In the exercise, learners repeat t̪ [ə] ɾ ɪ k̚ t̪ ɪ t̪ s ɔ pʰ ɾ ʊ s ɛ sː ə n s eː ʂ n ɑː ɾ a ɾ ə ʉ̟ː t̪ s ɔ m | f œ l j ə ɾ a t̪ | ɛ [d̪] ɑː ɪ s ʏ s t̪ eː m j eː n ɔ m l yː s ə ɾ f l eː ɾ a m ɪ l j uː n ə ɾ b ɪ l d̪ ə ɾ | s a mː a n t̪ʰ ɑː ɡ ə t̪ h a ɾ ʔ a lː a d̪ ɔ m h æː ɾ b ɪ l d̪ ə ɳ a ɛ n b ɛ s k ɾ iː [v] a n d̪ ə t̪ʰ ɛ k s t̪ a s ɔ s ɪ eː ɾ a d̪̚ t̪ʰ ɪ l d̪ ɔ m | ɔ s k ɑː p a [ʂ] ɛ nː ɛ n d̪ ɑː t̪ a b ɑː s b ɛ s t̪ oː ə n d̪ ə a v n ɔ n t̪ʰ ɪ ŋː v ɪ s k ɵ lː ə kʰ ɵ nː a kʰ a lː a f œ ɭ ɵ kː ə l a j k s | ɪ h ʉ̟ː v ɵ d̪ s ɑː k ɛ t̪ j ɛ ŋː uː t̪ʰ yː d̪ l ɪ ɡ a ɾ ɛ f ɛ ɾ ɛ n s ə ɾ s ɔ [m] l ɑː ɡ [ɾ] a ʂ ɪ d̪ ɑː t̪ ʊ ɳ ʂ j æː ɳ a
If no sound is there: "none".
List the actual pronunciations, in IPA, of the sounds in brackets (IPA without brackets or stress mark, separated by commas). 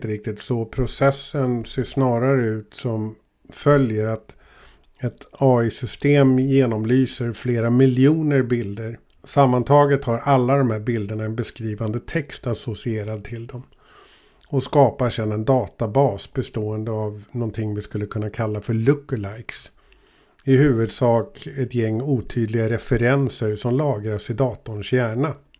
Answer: ə, t̪, v, ʂ, m, ɾ